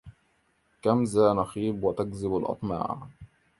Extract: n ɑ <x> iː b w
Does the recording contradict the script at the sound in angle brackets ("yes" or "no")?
no